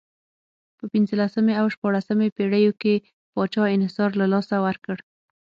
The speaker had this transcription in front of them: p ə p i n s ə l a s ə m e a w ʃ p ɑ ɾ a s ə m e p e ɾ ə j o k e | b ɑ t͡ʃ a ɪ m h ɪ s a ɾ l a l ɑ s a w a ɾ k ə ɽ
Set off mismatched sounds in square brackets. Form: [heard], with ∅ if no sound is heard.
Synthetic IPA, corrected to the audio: p ə p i n [z] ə l a s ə m e a w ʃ p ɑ [ɽ] a s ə m e p e [ɽ] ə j o k e | [p] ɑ t͡ʃ [ɑ] ɪ [n] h ɪ s [ɑ] ɾ l a l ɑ s a w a ɾ k ə ɽ